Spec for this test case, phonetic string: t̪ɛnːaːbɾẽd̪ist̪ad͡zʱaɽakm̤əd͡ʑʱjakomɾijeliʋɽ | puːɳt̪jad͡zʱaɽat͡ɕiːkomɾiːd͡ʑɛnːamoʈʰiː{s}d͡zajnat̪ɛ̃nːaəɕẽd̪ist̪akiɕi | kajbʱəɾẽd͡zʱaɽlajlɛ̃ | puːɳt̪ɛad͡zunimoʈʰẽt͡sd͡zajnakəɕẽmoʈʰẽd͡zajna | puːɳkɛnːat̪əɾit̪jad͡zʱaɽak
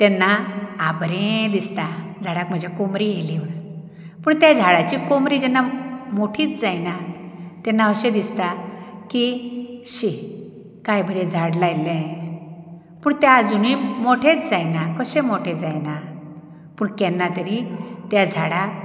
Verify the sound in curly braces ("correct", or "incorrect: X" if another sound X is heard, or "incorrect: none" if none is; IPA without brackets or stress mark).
incorrect: t͡s